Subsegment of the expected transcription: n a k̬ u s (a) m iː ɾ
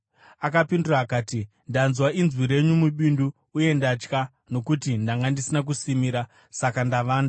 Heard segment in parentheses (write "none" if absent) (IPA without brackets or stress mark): i